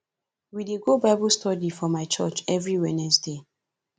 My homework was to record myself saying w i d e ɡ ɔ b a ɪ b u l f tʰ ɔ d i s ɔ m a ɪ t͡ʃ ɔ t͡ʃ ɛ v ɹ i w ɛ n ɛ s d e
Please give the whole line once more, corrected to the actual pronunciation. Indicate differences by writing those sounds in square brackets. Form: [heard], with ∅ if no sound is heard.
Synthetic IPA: w i d e ɡ [o] b a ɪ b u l [s] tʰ ɔ d i [f] ɔ m a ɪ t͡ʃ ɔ t͡ʃ ɛ v ɹ i w ɛ n ɛ s d e